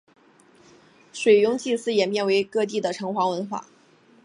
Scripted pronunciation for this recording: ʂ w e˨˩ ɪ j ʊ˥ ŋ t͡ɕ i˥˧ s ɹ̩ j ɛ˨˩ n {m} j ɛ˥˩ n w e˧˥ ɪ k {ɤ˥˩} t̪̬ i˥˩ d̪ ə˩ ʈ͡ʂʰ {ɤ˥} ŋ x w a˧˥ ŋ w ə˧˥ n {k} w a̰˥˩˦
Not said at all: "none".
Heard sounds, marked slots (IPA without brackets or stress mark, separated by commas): m, ɤ˥˧, ɤ˧˥, x